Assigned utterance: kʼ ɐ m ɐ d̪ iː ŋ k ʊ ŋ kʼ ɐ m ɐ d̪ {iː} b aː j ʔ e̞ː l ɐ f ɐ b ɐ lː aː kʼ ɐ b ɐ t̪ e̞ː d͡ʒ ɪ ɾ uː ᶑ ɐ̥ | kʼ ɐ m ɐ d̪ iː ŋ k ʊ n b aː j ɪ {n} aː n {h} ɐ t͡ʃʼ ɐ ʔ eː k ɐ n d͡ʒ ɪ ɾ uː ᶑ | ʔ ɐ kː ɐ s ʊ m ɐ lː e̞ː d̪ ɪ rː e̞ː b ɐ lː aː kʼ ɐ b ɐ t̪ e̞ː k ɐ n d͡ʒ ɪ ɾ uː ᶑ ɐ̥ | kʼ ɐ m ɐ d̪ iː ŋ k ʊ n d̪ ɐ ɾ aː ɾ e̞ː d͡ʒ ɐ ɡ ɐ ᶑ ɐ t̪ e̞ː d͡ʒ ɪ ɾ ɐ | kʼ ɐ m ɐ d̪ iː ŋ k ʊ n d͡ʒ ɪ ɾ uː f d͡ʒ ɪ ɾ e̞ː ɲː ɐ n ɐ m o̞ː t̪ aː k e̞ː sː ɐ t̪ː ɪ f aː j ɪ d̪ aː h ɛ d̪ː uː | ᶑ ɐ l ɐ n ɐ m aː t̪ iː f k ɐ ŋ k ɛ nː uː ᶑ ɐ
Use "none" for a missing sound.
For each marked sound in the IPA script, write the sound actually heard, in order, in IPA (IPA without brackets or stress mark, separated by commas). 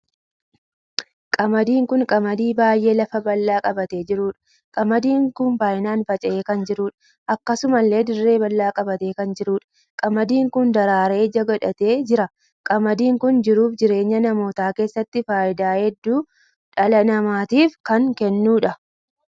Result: iː, n, f